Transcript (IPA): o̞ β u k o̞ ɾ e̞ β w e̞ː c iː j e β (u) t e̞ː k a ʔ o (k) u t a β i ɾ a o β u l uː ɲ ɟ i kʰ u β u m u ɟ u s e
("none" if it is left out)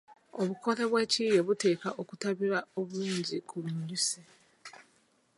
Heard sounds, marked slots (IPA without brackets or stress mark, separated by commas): u, k